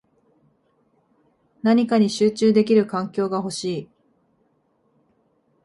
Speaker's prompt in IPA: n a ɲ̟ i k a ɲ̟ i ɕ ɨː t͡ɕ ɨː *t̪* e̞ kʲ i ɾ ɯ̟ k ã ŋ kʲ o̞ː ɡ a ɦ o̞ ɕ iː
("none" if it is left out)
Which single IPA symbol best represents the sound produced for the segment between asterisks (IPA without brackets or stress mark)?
d̪